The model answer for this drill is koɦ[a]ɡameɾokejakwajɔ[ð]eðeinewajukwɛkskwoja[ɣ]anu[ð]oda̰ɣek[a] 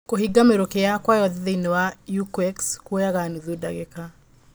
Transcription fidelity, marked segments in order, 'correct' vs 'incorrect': incorrect: i, correct, correct, correct, correct

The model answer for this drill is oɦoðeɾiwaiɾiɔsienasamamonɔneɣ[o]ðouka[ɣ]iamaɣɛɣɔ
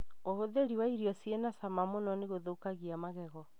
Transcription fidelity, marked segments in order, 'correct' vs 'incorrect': correct, correct

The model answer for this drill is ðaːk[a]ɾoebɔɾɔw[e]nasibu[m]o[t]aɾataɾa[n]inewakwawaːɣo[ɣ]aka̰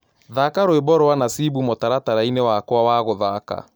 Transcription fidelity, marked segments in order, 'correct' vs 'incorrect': correct, incorrect: a, correct, correct, incorrect: none, incorrect: ð

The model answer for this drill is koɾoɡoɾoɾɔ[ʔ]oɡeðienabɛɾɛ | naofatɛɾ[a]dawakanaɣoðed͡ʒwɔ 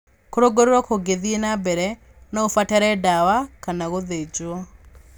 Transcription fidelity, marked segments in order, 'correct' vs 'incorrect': incorrect: k, incorrect: ɛ

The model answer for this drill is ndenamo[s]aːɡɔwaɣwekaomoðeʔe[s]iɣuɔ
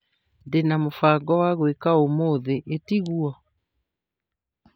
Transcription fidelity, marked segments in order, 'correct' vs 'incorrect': incorrect: f, incorrect: t

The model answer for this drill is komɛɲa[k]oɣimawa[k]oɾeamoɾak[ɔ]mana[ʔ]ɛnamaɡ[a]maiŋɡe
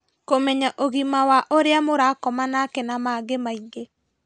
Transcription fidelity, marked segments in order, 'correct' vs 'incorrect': incorrect: ʔ, incorrect: ʔ, correct, incorrect: k, incorrect: e

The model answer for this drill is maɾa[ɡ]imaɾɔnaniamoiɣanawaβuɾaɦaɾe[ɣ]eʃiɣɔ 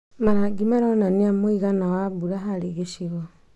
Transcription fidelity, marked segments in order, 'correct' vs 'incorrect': correct, correct

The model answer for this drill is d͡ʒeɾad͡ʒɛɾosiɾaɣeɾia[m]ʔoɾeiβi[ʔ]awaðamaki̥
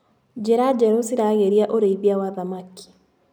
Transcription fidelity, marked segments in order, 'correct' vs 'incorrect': incorrect: none, incorrect: none

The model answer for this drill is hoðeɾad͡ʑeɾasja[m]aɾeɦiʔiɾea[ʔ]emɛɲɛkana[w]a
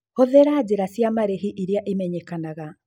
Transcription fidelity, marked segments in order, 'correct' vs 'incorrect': correct, correct, incorrect: ɣ

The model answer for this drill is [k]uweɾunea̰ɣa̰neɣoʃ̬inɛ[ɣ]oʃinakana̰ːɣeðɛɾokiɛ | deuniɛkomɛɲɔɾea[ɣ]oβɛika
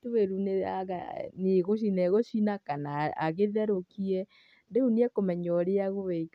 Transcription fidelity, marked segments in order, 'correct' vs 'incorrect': incorrect: t, correct, correct

